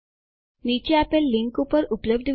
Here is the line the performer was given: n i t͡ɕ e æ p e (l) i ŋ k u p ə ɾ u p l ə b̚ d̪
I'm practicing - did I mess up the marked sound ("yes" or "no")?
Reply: yes